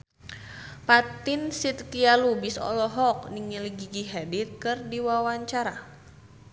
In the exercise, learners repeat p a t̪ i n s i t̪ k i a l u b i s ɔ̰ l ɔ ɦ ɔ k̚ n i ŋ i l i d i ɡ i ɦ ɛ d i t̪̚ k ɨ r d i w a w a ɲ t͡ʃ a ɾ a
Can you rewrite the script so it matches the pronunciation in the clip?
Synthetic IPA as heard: p a t̪ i n s i t̪ k i a l u b i s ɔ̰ l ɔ ɦ ɔ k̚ n i ŋ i l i ɡ i ɡ i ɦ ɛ d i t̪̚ k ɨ r d i w a w a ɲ t͡ʃ a ɾ a